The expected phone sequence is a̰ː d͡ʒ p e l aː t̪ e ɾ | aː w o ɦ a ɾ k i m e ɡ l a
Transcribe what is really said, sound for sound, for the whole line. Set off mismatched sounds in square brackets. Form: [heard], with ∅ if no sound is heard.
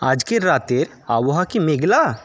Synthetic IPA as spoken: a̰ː d͡ʒ [k] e [ɾ] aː t̪ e ɾ | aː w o ɦ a [∅] k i m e ɡ l a